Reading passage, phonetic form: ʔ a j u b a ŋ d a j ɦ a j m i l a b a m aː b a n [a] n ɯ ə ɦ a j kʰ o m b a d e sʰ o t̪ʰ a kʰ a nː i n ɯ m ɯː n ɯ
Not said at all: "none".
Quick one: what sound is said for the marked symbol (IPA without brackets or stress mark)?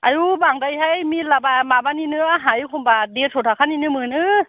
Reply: i